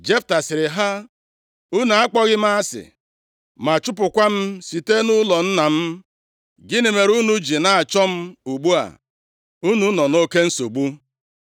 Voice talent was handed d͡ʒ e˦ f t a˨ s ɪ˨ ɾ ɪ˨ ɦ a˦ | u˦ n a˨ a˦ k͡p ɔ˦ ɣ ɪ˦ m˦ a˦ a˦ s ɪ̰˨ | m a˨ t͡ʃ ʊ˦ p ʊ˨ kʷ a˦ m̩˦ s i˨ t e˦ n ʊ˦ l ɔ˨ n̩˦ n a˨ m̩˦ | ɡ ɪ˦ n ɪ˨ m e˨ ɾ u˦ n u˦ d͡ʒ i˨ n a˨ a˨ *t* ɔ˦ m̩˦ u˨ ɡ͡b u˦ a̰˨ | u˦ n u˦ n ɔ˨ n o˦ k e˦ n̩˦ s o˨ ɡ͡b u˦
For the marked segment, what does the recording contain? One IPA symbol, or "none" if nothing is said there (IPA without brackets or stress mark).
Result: t͡ʃ